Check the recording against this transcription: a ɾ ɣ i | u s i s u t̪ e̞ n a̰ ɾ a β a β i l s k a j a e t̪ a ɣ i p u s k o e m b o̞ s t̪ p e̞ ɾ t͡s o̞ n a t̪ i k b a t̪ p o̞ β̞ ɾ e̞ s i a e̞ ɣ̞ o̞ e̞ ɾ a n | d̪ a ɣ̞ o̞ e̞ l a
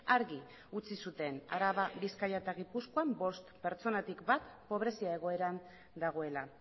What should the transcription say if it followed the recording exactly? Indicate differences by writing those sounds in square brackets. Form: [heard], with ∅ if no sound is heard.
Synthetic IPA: a ɾ ɣ i | u [t͡s] i s u t̪ e̞ n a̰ ɾ a β a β i [∅] s k a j a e t̪ a ɣ i p u s k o [a] m b o̞ s t̪ p e̞ ɾ t͡s o̞ n a t̪ i k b a t̪ p o̞ β̞ ɾ e̞ s i a e̞ ɣ̞ o̞ e̞ ɾ a n | d̪ a ɣ̞ o̞ e̞ l a